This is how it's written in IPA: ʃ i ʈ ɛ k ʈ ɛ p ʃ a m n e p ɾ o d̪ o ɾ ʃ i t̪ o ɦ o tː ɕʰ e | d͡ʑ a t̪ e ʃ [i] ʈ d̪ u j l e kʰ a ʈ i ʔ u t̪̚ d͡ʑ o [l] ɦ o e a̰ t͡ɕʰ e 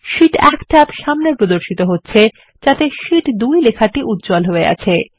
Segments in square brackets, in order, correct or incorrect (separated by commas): correct, correct